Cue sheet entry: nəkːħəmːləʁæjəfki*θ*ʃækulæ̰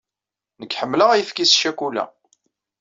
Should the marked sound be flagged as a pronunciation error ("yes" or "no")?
yes